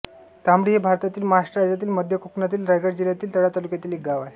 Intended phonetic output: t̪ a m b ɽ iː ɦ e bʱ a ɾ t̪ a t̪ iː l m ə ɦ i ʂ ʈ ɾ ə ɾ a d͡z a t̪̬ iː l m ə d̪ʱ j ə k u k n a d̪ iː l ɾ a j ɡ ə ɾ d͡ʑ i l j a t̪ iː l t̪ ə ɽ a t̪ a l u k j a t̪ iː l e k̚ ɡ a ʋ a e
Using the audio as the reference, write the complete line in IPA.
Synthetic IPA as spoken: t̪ a m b ɽ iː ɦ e bʱ a ɾ t̪ a t̪ iː l m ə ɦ a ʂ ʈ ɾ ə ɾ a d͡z a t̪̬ iː l m ə d̪ʱ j ə k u k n a t̪ iː l ɾ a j ɡ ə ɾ d͡ʑ i l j a t̪ iː l t̪ ə ɽ a t̪ a l u k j a t̪ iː l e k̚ ɡ a ʋ a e